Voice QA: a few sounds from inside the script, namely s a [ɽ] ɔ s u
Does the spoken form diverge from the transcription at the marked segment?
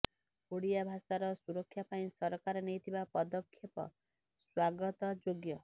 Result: yes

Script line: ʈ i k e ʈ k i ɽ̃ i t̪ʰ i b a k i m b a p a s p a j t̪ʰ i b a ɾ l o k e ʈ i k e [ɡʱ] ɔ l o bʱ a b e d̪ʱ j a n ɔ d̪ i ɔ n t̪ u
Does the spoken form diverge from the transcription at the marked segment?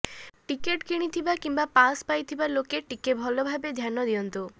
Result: yes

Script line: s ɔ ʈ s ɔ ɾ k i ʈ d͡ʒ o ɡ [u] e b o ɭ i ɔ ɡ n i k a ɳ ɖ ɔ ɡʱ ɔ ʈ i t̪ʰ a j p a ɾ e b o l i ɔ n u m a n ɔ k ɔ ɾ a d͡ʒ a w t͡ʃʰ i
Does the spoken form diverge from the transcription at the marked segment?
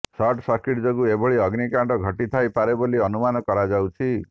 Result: no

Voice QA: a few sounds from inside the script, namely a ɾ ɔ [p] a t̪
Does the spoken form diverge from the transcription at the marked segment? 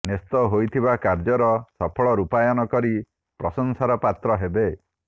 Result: no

